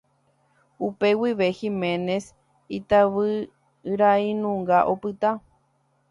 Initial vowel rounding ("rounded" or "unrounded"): rounded